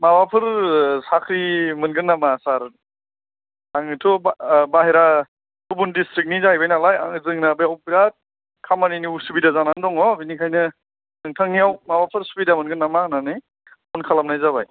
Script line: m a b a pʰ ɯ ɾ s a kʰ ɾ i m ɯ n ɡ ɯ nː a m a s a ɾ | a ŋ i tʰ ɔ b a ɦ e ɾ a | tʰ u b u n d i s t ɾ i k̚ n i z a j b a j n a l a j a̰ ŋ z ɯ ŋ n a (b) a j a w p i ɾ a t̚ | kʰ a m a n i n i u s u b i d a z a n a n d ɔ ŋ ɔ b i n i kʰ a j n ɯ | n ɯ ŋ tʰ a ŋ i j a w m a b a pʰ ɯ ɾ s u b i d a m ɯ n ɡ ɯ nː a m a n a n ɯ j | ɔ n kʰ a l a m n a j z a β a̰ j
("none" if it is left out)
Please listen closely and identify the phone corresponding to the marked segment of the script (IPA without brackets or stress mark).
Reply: b